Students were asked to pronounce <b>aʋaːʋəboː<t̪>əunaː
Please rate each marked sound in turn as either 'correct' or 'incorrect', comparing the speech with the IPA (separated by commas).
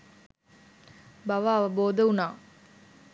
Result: correct, incorrect